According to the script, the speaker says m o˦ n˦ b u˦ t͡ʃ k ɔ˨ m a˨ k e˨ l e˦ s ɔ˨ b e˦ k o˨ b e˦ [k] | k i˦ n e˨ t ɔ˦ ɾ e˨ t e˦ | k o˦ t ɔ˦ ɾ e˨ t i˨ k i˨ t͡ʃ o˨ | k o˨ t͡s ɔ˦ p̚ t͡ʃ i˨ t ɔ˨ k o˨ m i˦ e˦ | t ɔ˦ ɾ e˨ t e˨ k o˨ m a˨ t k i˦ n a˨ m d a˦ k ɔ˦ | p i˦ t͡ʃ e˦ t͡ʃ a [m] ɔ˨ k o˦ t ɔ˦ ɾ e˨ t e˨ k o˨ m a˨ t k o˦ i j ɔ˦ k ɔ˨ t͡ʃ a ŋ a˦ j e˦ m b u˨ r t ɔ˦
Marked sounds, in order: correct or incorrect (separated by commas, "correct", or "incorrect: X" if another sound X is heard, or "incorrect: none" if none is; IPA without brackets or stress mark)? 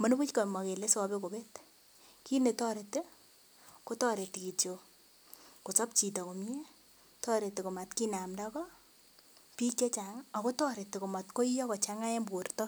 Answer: incorrect: t, incorrect: ŋ